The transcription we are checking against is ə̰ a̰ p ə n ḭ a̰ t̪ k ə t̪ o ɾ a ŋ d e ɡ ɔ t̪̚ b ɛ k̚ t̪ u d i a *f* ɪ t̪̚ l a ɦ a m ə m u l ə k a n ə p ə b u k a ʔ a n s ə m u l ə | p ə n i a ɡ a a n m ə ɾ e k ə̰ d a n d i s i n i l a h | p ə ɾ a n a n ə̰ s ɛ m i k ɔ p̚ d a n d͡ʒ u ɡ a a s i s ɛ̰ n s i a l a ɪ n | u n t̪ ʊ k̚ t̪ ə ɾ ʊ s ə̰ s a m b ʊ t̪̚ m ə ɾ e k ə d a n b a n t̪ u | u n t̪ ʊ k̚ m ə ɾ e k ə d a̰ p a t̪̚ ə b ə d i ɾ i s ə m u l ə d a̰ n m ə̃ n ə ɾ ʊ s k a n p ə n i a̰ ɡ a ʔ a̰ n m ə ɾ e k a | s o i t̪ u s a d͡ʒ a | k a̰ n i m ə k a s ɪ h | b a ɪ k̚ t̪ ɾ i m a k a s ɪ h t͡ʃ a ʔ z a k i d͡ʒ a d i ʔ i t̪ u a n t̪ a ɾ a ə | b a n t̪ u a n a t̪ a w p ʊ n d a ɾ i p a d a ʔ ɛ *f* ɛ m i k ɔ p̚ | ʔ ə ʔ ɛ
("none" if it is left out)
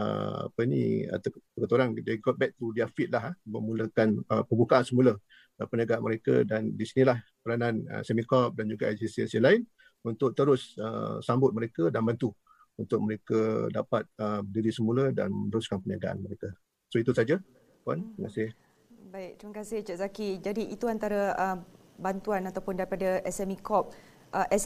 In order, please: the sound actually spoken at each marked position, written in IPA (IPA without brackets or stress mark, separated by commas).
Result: f, s